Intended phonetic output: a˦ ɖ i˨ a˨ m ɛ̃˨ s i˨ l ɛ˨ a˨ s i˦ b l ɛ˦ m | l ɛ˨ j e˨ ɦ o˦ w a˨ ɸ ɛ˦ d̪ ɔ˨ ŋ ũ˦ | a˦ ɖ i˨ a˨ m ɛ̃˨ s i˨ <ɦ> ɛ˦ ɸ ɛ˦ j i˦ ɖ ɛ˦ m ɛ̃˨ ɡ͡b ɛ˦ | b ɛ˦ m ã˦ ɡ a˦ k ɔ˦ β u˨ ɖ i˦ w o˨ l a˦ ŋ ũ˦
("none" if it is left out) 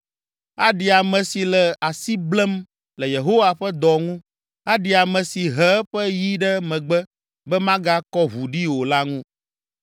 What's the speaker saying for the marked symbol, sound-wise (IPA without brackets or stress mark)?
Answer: ɦ